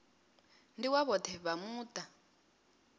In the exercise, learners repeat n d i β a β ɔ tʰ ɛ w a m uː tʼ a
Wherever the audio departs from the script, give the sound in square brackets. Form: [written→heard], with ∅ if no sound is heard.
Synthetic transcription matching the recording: n d i [β→w] a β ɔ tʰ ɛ [w→β] a m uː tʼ a